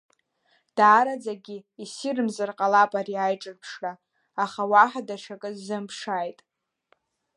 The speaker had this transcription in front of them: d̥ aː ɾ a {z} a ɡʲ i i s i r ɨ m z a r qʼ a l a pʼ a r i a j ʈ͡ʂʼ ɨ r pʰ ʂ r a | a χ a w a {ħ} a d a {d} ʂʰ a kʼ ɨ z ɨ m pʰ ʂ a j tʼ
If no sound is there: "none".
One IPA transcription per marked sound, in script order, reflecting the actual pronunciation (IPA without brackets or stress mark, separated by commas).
d͡z, ħ, none